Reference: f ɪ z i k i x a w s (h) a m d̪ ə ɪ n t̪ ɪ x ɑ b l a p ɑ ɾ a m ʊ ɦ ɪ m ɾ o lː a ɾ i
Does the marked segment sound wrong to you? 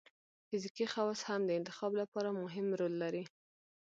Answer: no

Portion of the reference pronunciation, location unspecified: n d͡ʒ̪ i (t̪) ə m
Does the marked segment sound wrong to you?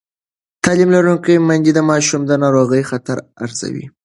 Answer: yes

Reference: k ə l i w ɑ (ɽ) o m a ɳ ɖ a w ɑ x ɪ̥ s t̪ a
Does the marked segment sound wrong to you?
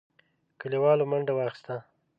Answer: yes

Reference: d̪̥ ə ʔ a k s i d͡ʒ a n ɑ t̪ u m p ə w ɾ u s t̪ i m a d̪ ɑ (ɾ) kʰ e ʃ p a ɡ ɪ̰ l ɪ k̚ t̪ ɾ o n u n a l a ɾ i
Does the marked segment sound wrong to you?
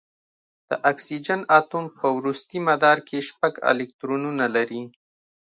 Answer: no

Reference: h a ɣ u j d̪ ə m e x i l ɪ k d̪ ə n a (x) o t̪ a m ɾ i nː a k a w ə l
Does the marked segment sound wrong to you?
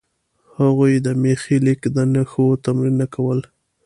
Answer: no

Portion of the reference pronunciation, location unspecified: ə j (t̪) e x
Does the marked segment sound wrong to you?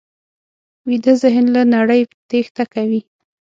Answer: no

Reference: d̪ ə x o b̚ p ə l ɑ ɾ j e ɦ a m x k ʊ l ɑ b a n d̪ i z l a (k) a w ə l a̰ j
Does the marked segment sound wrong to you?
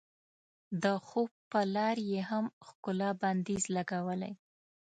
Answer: yes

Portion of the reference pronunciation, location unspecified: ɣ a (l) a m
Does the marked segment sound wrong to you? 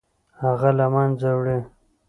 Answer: no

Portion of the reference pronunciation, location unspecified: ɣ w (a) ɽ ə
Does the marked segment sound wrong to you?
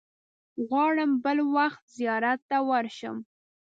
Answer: yes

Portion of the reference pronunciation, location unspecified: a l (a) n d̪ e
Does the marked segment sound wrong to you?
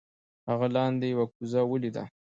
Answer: yes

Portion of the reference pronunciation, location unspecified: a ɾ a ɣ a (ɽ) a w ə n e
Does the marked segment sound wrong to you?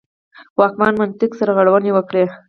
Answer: no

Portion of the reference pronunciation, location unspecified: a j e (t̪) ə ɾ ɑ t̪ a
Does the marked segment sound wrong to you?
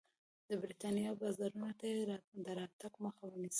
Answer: yes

